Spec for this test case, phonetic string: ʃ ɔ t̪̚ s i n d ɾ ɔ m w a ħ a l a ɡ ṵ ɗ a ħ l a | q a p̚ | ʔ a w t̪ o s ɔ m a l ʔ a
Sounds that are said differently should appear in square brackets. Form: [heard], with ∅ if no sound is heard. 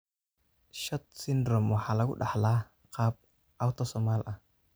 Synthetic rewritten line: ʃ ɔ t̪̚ s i n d ɾ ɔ m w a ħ a l a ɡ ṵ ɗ a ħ l a | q a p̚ | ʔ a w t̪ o s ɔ m a l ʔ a